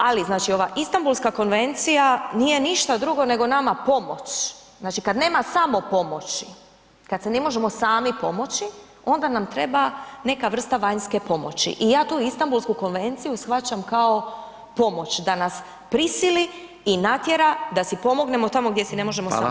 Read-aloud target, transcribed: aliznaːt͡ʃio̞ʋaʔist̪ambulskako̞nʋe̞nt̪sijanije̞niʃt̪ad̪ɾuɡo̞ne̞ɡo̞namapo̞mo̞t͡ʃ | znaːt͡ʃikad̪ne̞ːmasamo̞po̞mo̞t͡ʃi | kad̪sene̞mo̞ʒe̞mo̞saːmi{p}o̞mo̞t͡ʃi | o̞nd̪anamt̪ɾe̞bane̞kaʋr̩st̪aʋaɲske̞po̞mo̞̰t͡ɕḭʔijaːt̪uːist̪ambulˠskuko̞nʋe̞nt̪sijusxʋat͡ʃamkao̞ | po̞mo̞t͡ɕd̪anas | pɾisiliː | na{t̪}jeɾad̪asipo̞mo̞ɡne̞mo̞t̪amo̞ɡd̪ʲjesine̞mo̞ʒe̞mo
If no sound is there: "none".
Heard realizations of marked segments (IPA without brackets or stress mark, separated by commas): p, t̪